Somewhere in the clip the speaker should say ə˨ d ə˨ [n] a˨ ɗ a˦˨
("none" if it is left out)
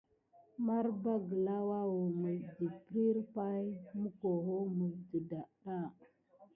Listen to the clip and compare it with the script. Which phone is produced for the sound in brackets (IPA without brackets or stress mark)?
d